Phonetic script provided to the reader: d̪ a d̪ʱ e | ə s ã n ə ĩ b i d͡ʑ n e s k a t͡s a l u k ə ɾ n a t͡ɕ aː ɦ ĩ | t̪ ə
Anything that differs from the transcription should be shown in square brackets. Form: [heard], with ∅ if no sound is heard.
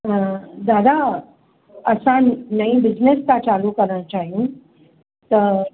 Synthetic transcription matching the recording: d̪ a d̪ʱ [a] | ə s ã n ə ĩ b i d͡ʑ n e s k a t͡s a l u k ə ɾ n a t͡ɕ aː ɦ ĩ | t̪ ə